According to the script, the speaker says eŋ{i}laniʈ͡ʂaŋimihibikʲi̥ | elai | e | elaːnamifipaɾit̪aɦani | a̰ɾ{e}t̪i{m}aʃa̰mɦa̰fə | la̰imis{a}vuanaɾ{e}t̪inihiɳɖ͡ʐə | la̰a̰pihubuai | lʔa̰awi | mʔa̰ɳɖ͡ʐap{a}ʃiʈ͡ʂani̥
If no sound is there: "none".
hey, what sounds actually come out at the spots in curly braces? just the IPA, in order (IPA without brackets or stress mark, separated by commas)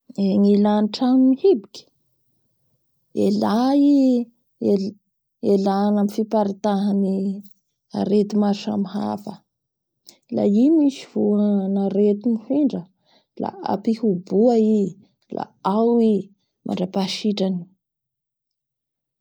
i, e, m, i, e, a